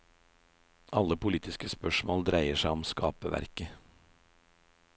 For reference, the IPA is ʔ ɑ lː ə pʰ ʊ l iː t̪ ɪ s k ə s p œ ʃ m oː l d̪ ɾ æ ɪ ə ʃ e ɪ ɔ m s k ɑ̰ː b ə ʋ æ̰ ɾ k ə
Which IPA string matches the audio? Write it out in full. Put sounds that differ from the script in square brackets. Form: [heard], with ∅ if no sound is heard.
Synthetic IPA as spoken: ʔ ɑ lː ə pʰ ʊ l iː t̪ ɪ s k ə s p œ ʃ m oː l d̪ ɾ æ ɪ ə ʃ [æ] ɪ ɔ m s k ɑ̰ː [p] ə ʋ æ̰ ɾ k ə